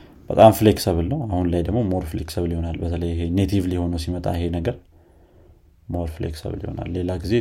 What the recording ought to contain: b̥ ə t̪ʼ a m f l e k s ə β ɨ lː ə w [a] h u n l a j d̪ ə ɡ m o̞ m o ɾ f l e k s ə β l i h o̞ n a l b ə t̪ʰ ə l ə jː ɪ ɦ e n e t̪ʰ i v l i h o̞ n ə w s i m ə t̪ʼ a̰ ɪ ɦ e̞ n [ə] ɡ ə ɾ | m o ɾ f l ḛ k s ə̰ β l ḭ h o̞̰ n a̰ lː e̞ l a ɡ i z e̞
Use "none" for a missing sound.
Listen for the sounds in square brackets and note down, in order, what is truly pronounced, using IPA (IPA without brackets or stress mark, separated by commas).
a, ə